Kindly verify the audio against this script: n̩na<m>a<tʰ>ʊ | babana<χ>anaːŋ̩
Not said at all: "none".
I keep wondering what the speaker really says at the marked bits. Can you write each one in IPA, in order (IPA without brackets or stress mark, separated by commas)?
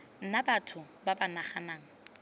b, tʰ, χ